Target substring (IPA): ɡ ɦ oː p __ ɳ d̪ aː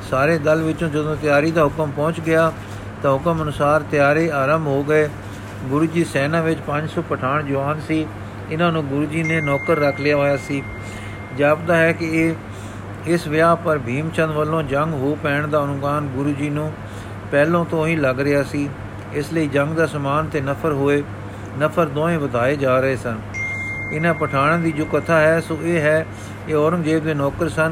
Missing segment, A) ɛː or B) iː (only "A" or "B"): A